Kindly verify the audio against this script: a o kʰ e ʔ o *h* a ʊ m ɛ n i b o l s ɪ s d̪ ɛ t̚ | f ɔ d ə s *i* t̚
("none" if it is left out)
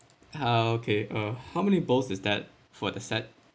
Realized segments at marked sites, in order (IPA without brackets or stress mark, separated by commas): h, ɛ